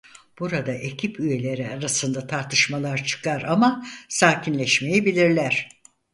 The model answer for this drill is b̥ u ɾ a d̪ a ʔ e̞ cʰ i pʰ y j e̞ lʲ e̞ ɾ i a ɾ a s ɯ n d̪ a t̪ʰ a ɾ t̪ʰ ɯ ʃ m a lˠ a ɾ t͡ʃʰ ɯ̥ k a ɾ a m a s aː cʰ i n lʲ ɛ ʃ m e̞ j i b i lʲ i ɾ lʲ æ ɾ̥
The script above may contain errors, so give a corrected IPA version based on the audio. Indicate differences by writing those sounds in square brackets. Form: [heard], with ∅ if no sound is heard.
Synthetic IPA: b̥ u ɾ a d̪ a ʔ e̞ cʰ i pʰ y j e̞ lʲ e̞ ɾ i a ɾ a s ɯ n d̪ a t̪ʰ a ɾ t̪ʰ ɯ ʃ m a lˠ a ɾ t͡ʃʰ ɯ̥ k a ɾ a m a s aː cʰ i n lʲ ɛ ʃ m e̞ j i b i lʲ i ɾ lʲ æ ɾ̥